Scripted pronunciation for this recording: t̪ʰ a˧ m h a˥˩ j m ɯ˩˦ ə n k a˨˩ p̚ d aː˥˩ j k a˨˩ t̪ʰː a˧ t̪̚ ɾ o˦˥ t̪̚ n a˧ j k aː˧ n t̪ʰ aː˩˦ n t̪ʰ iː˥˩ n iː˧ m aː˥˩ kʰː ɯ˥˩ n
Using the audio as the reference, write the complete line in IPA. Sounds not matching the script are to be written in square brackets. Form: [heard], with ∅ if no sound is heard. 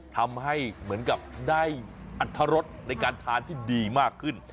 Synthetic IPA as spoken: t̪ʰ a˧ m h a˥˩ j m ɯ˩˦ ə n k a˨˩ p̚ d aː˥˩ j [ʔ] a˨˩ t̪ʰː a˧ [∅] ɾ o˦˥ t̪̚ n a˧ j k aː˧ n t̪ʰ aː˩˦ n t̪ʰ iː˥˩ [d] iː˧ m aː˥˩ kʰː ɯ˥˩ n